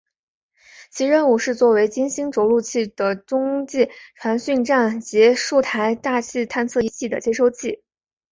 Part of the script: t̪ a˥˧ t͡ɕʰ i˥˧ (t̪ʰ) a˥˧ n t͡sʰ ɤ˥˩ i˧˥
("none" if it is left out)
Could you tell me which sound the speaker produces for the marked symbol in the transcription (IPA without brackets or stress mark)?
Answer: t̪ʰ